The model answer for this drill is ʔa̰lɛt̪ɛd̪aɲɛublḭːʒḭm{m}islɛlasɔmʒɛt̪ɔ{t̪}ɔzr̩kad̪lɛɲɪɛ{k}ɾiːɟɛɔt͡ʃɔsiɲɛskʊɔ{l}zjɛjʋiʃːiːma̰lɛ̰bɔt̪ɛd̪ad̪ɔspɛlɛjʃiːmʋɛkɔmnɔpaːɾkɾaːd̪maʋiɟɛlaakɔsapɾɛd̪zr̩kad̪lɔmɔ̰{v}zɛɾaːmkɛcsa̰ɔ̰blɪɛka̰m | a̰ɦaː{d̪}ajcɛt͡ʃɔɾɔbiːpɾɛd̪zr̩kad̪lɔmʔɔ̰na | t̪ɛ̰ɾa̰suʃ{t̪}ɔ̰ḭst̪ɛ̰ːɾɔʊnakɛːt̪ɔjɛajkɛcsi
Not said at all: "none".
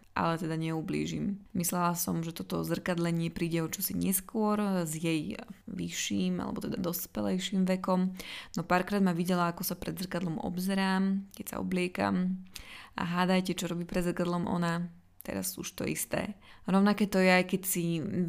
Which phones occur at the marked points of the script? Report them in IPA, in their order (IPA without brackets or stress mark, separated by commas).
m, t̪, p, ɾ, b, d̪, t̪